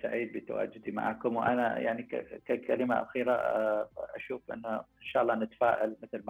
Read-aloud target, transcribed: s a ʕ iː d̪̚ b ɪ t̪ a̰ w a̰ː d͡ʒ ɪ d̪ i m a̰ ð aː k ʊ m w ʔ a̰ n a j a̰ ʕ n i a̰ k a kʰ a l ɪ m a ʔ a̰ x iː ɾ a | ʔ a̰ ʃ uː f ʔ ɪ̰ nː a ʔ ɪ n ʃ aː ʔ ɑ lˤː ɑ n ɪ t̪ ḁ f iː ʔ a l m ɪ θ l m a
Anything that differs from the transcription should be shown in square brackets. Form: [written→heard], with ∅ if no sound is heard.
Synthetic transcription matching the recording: s a ʕ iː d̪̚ b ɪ t̪ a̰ w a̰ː d͡ʒ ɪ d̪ i m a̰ [ð→ʕ] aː k ʊ m w ʔ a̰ n a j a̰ ʕ n i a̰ k a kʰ a l ɪ m a ʔ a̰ x iː ɾ a | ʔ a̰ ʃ uː f ʔ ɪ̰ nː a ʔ ɪ n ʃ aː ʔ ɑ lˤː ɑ n ɪ t̪ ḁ f [iː→aː] ʔ a l m ɪ θ l m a